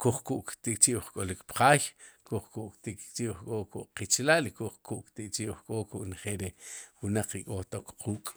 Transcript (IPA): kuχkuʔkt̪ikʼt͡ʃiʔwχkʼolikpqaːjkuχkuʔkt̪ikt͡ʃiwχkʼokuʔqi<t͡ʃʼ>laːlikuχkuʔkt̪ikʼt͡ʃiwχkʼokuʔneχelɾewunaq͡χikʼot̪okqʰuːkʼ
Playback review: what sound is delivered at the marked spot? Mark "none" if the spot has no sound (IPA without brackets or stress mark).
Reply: t͡ʃ